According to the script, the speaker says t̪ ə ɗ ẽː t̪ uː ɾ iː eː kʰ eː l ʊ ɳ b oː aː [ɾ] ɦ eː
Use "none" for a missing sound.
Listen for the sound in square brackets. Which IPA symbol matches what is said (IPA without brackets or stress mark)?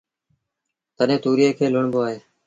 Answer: none